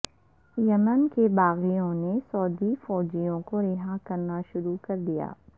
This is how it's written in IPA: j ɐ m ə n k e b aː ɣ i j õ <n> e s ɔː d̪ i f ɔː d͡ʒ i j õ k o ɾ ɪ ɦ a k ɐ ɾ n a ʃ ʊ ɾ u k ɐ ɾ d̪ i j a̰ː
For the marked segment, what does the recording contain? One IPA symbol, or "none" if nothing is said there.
n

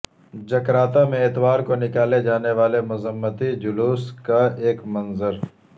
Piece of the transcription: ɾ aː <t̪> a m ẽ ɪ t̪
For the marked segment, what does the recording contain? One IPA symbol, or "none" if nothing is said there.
t̪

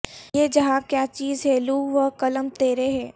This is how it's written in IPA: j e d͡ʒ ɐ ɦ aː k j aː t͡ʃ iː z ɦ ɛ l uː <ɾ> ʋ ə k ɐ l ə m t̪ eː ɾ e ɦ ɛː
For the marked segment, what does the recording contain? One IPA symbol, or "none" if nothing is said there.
none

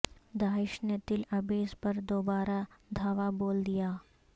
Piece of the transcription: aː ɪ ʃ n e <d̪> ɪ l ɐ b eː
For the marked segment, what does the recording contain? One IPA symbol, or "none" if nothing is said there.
t̪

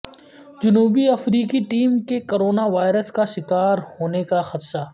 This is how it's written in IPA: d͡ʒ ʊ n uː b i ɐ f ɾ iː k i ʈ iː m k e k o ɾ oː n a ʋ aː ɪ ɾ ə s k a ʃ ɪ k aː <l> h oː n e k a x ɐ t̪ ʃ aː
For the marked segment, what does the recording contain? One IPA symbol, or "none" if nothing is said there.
ɾ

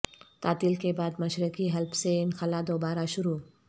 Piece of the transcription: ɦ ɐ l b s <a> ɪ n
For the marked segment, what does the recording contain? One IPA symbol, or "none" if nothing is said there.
e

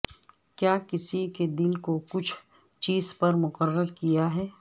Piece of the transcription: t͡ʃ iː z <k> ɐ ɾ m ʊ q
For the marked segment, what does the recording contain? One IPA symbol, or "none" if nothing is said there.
p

